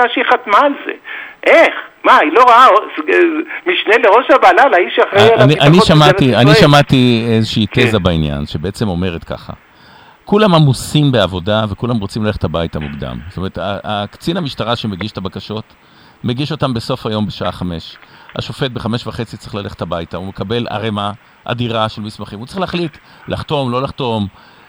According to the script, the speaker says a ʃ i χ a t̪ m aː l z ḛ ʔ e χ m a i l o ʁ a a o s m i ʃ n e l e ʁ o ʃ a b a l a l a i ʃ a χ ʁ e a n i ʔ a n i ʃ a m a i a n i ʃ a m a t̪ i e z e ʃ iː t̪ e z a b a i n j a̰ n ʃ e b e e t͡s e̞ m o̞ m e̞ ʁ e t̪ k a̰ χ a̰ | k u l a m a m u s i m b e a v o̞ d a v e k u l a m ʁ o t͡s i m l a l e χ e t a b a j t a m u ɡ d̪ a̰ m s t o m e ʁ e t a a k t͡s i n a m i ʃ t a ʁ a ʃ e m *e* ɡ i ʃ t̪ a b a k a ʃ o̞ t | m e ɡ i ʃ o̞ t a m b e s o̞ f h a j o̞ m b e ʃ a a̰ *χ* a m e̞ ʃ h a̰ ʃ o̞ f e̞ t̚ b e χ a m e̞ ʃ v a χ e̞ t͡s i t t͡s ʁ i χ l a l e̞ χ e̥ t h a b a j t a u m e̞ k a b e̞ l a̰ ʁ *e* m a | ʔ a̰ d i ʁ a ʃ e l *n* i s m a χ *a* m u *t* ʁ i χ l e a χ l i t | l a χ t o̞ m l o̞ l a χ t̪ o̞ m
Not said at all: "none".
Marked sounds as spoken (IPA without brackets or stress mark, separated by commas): e, χ, e, m, i, t͡s